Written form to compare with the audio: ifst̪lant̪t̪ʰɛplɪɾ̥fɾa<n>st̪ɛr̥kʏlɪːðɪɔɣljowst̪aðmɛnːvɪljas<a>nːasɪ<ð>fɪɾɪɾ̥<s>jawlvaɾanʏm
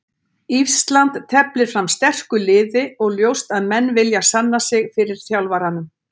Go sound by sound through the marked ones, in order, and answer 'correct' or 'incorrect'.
incorrect, correct, incorrect, incorrect

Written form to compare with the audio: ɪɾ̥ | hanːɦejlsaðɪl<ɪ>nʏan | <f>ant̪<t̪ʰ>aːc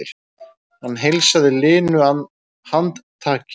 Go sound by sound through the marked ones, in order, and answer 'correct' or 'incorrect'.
incorrect, incorrect, correct

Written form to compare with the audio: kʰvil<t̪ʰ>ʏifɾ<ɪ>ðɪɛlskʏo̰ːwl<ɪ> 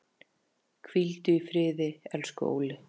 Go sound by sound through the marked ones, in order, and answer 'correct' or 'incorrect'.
incorrect, incorrect, correct

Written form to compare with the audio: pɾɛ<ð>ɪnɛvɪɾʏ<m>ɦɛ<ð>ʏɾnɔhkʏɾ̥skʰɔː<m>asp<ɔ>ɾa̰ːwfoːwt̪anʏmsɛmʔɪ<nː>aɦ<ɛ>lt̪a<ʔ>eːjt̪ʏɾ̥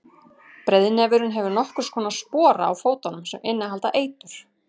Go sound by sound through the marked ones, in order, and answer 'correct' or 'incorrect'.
correct, incorrect, incorrect, incorrect, incorrect, correct, incorrect, correct

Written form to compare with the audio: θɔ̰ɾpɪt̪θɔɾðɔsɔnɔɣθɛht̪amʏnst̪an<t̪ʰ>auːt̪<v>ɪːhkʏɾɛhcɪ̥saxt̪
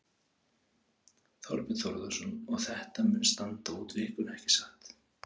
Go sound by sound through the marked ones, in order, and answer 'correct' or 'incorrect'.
incorrect, correct

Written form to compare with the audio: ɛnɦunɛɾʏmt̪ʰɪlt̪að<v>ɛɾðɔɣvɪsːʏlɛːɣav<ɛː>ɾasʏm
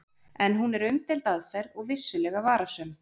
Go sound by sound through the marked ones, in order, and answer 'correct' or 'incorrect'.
incorrect, incorrect

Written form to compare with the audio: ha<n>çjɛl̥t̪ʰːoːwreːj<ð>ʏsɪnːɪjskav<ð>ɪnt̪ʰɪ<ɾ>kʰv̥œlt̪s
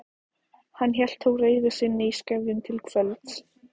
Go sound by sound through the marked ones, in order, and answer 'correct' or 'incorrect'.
incorrect, correct, correct, incorrect

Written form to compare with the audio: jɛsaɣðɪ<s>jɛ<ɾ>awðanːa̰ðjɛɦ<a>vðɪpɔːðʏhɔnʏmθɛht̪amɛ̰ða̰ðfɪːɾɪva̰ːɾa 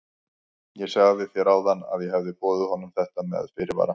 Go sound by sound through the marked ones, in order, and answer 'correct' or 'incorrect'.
incorrect, correct, incorrect

